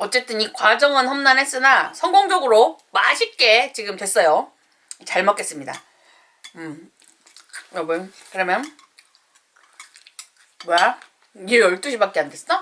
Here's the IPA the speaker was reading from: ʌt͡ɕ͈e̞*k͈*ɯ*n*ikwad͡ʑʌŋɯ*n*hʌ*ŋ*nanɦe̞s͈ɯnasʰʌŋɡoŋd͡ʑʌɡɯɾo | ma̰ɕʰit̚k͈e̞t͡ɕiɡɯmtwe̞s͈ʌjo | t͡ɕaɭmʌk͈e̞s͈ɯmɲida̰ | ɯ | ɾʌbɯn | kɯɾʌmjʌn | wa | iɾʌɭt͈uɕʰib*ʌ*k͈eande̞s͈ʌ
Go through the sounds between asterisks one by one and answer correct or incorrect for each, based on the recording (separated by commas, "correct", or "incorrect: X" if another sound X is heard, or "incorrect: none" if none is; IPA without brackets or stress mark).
incorrect: t͈, correct, correct, incorrect: m, incorrect: a